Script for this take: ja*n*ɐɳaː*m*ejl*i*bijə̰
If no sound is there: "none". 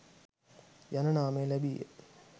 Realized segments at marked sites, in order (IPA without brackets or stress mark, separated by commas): n, m, æ